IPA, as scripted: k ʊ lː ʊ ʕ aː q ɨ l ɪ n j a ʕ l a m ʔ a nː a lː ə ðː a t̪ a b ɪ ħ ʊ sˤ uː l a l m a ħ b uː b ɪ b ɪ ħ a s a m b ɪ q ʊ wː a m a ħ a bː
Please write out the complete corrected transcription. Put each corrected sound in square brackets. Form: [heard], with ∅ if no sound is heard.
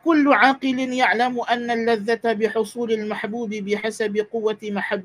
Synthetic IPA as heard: k ʊ lː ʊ ʕ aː q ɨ l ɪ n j a ʕ l a m ʔ a nː a lː [a] ðː a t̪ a b ɪ ħ ʊ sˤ uː l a l m a ħ b uː b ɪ b ɪ ħ a s a [∅] b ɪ q ʊ wː a m a ħ a bː